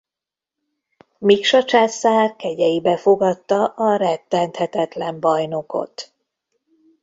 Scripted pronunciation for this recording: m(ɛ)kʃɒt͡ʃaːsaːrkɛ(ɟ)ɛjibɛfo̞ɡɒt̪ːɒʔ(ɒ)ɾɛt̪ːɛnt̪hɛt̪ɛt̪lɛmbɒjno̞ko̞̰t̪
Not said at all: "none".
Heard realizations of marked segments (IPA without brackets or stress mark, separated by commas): i, ɟ, ɒ